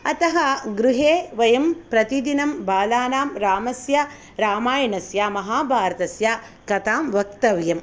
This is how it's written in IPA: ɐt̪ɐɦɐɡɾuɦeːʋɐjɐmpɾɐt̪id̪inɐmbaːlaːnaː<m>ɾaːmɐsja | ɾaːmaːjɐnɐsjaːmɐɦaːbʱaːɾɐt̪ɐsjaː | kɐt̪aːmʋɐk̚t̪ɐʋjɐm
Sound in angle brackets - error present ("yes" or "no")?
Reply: no